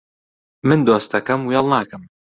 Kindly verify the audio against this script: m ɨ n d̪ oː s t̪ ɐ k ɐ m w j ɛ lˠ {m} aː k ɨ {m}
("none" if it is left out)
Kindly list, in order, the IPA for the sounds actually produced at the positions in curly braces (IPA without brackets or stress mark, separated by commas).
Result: n, m